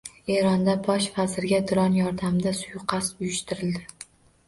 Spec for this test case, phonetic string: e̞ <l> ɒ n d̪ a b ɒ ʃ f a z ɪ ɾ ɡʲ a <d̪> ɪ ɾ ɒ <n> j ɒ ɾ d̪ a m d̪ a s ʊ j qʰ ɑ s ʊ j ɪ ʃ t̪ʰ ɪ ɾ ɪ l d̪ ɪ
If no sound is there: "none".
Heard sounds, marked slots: ɾ, d̪, n

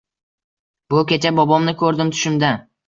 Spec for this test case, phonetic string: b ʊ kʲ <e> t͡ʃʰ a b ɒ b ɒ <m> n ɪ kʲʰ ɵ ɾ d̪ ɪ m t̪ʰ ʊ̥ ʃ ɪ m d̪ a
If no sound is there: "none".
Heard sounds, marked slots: e, m

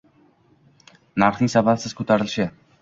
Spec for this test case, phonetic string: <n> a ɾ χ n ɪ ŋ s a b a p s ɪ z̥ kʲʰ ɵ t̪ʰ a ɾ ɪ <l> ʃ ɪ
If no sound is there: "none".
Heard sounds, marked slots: n, l

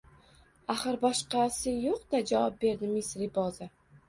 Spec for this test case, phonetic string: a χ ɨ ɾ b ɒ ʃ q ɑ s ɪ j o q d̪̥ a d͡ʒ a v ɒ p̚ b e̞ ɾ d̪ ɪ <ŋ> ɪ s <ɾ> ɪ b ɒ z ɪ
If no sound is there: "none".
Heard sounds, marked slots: m, ɾ

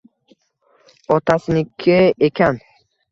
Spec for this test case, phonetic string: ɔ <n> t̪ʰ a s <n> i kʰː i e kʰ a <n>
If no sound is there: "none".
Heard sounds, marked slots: none, n, n

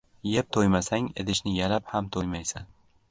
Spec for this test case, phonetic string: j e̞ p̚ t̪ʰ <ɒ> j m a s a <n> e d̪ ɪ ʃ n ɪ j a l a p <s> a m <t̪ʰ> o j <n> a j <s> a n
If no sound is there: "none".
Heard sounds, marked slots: o, ŋ, h, t̪ʰ, m, s

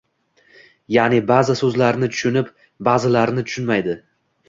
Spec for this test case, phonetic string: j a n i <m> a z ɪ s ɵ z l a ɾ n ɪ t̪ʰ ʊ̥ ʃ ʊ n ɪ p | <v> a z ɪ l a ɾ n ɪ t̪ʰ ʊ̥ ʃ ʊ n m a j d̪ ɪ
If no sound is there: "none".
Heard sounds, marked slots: b, b

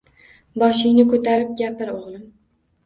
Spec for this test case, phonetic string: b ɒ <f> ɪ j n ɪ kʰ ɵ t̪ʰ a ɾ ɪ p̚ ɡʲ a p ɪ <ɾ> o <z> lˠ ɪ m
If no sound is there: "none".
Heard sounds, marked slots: ʃ, ɾ, ʁ

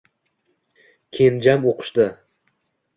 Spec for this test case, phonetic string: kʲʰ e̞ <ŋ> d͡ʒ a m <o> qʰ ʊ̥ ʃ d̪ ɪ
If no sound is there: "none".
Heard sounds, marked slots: n, o

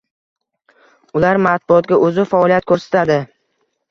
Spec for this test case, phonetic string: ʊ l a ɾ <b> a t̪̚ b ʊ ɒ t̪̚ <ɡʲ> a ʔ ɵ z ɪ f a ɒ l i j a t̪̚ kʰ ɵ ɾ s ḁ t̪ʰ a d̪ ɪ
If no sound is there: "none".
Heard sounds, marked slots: m, ɡʲ

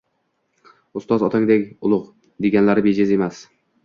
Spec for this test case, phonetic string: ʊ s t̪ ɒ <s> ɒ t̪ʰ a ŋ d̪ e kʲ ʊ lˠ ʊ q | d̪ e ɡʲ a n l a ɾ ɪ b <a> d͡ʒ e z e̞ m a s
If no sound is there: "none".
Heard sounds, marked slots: z, e

